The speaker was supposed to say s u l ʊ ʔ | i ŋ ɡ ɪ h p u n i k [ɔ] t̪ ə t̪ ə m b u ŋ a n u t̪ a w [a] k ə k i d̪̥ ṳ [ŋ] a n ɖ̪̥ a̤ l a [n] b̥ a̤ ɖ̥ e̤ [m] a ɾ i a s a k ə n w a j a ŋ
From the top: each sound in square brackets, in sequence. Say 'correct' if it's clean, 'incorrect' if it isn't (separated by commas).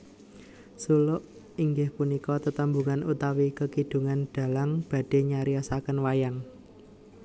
correct, incorrect, correct, incorrect, incorrect